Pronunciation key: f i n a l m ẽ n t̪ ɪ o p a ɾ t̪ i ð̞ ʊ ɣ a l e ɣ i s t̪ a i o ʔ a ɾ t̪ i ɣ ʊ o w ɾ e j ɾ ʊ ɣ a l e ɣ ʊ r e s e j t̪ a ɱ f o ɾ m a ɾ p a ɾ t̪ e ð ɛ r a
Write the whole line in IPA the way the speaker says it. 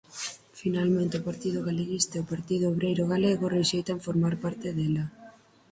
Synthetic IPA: f i n a l m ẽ n t̪ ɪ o p a ɾ t̪ i ð̞ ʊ ɣ a l e ɣ i s t̪ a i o p a ɾ t̪ i ð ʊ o β ɾ e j ɾ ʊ ɣ a l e ɣ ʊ r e ʃ e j t̪ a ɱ f o ɾ m a ɾ p a ɾ t̪ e ð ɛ l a